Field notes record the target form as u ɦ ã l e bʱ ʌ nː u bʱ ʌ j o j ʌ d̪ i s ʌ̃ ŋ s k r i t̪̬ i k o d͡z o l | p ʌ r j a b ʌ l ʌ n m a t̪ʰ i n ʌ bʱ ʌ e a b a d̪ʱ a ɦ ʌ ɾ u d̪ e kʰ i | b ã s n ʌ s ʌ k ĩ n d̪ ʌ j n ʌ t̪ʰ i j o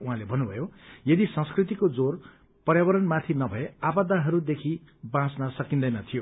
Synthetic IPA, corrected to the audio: u ɦ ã l e bʱ ʌ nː u bʱ ʌ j o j ʌ d̪ i s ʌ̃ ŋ s k r i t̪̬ i k o d͡z o r | p ʌ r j a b ʌ ɾ ʌ n m a t̪ʰ i n ʌ bʱ ʌ e a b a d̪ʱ a ɦ ʌ ɾ u d̪ e kʰ i | b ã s n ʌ s ʌ k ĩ n d̪ ʌ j n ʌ t̪ʰ i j o